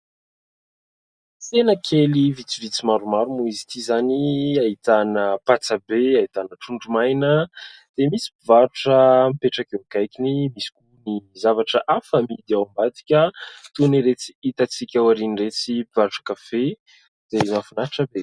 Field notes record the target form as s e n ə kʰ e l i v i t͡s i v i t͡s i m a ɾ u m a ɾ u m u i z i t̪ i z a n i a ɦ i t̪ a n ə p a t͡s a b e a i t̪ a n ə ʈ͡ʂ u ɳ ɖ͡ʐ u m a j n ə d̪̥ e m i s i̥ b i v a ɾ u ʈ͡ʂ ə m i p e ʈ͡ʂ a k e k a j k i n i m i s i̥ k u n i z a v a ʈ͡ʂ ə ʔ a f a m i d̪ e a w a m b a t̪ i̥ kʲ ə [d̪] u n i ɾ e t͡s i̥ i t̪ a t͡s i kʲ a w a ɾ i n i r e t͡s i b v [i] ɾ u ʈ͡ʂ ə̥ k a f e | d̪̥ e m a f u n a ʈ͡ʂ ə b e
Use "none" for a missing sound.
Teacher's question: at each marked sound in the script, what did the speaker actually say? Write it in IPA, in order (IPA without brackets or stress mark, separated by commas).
t̪, a